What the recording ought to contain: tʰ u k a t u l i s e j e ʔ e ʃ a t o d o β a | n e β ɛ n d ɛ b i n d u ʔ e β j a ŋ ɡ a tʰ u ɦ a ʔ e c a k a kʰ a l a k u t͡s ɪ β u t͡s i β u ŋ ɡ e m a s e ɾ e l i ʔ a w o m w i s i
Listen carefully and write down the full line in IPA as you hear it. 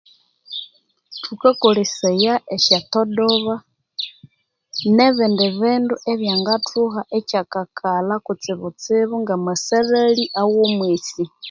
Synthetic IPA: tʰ u k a k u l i s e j a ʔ e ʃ a t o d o β a | n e β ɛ n d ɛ β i n d u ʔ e β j a ŋ ɡ a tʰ u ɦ a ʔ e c a k a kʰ a l a k u t͡s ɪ β u t͡s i β u ŋ ɡ a m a s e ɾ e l i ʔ a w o m w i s i

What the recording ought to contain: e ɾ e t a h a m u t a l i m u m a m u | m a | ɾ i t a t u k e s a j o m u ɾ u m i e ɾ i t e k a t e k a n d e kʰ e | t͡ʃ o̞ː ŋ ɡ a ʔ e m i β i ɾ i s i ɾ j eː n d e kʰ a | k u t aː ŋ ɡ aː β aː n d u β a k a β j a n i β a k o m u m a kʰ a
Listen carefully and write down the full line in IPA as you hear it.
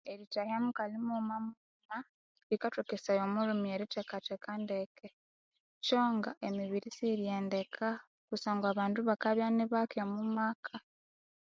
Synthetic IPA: e ɾ i t a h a m u k a l i m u m a m u | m a | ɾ i k a t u k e s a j o m u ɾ u m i e ɾ i t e k a t e k a n d e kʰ e | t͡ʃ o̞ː ŋ ɡ a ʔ e m i β i ɾ i s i ɾ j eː n d e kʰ a | k u s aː ŋ ɡ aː β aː n d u β a k a β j a n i β a k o m u m a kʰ a

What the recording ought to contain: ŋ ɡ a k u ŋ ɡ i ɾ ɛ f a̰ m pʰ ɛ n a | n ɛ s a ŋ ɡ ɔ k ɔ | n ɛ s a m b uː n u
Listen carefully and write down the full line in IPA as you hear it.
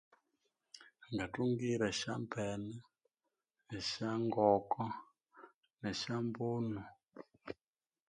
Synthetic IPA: ŋ ɡ a t u ŋ ɡ i ɾ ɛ ʃ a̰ m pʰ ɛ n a | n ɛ ʃ a ŋ ɡ ɔ k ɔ | n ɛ ʃ a m b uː n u

